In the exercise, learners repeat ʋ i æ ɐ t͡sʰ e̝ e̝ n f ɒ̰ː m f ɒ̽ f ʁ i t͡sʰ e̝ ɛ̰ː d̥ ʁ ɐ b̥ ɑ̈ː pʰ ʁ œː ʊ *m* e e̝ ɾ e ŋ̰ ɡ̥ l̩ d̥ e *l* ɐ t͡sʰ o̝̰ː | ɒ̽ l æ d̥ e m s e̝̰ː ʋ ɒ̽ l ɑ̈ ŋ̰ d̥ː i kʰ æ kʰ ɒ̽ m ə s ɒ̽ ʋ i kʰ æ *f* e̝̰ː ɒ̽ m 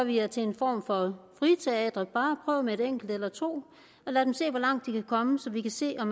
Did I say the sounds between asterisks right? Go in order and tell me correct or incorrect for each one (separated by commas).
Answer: correct, correct, incorrect